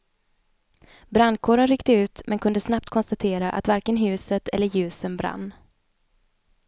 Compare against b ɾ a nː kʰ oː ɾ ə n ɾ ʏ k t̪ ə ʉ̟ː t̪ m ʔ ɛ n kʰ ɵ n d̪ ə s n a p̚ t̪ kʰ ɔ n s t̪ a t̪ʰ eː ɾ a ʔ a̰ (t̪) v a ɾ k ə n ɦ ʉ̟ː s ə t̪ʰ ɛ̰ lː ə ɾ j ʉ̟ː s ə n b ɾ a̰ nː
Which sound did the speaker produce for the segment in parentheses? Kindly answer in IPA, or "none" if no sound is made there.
t̪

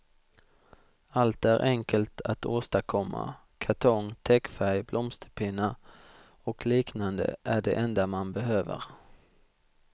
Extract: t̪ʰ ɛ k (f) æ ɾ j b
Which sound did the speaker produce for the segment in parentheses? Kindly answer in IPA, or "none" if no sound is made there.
f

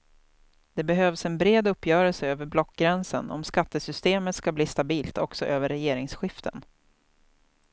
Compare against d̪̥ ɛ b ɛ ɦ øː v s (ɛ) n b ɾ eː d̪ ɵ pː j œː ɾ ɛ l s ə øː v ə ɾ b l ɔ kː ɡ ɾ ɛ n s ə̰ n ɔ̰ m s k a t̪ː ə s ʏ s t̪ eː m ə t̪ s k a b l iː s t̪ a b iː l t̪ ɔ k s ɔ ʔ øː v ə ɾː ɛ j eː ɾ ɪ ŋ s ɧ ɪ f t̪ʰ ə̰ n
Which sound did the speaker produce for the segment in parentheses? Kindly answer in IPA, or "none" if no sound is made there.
ɛ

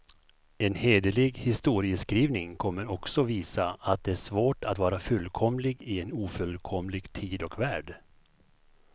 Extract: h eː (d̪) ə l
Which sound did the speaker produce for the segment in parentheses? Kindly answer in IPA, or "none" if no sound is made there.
d̪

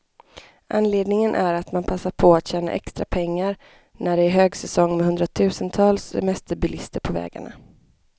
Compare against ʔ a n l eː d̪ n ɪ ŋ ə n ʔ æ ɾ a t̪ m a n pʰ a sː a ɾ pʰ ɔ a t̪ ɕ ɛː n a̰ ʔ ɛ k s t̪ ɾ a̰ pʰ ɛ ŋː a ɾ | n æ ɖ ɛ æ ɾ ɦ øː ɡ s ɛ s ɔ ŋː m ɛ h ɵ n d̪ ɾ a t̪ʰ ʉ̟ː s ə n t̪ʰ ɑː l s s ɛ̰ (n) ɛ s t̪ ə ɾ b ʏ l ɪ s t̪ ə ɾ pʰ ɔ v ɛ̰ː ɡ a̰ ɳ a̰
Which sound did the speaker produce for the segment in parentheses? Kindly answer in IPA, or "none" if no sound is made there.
m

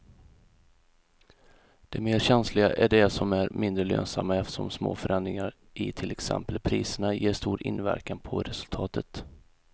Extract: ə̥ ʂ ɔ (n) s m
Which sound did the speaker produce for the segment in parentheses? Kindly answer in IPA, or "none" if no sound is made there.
m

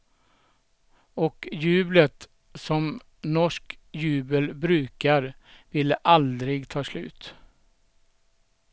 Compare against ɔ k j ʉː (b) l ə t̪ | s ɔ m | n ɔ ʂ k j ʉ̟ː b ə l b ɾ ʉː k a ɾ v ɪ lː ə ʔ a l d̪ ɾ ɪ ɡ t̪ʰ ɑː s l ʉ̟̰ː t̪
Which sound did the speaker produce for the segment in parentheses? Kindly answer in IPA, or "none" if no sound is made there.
b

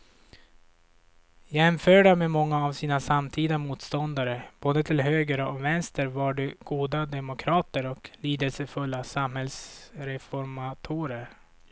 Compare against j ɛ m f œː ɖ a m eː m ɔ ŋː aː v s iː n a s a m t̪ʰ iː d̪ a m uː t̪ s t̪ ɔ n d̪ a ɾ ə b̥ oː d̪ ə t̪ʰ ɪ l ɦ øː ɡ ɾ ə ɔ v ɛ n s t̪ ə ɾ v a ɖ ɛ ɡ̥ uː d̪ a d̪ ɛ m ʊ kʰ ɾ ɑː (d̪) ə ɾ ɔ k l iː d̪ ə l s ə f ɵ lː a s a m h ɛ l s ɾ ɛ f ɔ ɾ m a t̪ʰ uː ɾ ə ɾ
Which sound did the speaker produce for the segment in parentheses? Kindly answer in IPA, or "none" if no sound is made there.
t̪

